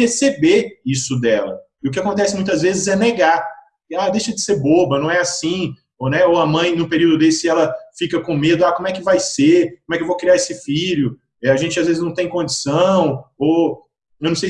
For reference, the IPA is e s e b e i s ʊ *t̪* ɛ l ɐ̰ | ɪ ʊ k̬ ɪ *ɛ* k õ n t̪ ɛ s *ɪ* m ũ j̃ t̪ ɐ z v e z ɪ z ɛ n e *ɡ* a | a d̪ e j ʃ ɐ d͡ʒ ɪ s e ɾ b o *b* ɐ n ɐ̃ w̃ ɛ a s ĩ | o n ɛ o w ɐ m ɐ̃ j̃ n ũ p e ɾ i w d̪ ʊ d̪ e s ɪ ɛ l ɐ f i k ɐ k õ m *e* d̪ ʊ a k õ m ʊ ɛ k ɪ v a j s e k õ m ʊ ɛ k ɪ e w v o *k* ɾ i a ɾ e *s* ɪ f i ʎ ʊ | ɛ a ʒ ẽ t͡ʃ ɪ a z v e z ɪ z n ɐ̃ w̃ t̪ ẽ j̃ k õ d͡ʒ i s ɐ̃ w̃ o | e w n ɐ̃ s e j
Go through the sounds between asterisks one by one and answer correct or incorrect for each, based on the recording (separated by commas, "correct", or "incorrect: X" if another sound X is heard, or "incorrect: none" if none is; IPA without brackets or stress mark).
incorrect: d̪, incorrect: a, correct, correct, correct, correct, correct, correct